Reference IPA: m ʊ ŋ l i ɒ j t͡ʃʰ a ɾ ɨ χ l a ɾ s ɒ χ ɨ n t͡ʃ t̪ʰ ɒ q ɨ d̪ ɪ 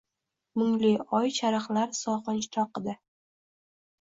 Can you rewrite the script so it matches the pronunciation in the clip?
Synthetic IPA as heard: m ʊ ŋ l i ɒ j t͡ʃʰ a ɾ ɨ χ l a ɾ s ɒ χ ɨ n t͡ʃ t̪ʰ ɒ q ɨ d̪ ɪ